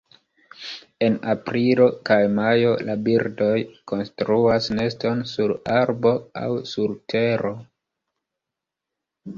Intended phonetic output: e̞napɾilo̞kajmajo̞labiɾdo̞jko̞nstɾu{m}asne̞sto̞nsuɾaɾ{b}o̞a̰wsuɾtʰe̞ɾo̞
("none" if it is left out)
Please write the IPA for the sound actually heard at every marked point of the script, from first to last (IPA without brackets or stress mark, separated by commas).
none, b